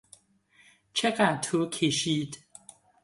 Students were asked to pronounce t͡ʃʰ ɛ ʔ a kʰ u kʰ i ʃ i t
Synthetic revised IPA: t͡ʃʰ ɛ k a tʰ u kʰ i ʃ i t